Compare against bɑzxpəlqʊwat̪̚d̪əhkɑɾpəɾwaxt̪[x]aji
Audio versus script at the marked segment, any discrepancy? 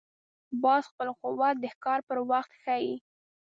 no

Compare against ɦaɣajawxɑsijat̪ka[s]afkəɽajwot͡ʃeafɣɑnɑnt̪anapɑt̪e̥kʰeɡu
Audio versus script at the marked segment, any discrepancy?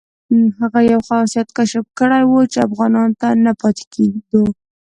yes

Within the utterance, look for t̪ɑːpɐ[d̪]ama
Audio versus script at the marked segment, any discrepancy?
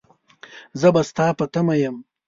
yes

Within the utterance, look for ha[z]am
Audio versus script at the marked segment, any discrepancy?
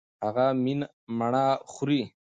yes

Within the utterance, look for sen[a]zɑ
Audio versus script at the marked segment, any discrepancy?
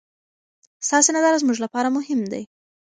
no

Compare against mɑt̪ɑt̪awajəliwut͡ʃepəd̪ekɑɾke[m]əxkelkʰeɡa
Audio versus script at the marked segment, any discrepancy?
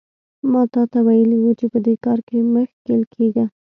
no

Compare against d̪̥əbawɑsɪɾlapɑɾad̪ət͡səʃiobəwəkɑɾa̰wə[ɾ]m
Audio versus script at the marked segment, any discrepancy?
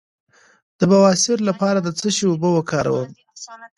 yes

